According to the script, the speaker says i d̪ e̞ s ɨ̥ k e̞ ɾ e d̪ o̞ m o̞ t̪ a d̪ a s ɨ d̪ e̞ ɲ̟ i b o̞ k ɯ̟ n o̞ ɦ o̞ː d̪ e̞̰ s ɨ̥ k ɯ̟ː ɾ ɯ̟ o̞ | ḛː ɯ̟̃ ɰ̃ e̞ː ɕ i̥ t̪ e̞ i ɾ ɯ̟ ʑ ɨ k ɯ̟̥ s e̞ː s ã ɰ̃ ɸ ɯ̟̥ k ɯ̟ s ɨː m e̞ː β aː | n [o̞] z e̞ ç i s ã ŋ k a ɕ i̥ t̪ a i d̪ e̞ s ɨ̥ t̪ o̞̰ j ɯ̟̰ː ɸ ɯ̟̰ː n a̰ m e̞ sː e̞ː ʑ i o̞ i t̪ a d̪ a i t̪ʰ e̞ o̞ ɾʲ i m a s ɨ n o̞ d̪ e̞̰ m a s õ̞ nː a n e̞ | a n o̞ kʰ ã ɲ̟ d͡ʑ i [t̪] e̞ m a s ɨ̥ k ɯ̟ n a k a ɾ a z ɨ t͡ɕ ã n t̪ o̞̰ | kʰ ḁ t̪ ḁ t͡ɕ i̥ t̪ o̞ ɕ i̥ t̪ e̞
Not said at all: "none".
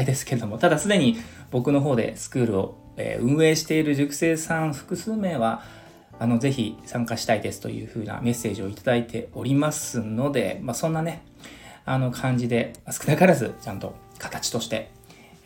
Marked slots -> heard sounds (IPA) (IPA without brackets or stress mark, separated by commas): o̞, d̪